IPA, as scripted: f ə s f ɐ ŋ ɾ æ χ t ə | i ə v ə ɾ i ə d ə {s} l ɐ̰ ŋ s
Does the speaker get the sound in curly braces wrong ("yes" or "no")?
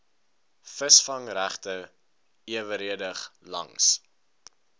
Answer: yes